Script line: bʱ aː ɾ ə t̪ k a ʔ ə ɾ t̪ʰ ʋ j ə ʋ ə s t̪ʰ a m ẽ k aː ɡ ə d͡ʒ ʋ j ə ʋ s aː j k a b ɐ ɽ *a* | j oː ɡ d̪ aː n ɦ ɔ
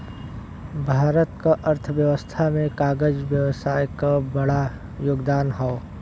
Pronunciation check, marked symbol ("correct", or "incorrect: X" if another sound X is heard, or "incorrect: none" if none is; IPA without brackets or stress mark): correct